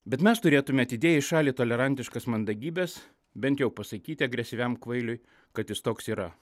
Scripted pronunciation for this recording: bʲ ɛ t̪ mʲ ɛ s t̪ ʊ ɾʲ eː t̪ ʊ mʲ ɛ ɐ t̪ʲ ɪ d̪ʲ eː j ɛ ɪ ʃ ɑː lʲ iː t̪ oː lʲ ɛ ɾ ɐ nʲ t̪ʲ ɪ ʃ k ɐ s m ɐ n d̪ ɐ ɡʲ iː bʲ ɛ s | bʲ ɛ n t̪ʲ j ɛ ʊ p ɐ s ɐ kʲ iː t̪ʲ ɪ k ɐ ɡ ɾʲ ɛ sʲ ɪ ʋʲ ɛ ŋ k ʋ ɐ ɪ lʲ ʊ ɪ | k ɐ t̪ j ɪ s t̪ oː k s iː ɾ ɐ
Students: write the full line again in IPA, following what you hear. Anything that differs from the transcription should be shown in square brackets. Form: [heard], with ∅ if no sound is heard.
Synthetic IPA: bʲ ɛ t̪ mʲ ɛ s t̪ ʊ ɾʲ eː t̪ ʊ mʲ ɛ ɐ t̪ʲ ɪ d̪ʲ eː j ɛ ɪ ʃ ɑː lʲ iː t̪ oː lʲ ɛ ɾ ɐ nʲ t̪ʲ ɪ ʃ k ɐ s m ɐ n d̪ ɐ ɡʲ iː bʲ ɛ s | bʲ ɛ n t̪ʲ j ɛ ʊ p ɐ s ɐ kʲ iː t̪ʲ ɪ [∅] ɐ ɡ ɾʲ ɛ sʲ ɪ ʋʲ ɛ [m] k ʋ ɐ ɪ lʲ ʊ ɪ | k ɐ t̪ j ɪ s t̪ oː k s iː ɾ ɐ